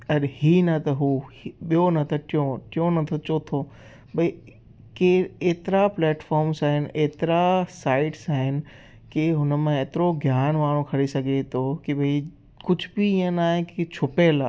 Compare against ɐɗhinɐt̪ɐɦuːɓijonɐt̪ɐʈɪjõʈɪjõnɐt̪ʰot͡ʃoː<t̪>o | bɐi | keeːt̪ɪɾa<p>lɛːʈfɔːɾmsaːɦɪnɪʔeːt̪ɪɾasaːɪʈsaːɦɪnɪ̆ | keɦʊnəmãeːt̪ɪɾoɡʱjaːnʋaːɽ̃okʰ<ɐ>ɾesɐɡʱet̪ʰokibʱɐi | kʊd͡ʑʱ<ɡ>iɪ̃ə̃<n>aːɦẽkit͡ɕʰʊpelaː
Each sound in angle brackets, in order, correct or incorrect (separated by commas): incorrect, correct, correct, incorrect, correct